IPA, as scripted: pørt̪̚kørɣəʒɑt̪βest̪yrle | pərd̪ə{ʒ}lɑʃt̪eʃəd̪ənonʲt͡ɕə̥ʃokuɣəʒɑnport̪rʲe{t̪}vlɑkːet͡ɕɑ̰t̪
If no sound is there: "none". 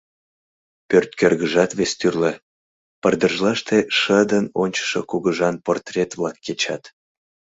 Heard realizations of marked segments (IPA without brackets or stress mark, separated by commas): ʒ, t̪